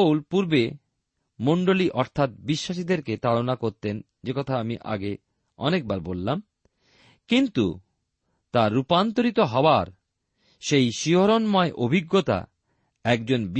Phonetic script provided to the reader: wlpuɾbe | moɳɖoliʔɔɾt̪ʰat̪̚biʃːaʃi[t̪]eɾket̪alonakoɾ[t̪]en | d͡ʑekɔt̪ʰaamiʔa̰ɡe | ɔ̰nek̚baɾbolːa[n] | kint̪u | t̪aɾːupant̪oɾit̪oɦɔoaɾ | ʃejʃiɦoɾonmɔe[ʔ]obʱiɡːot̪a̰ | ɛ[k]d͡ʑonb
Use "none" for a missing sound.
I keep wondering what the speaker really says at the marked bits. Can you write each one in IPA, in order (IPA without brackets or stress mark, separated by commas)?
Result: d̪, t̪, m, ʔ, k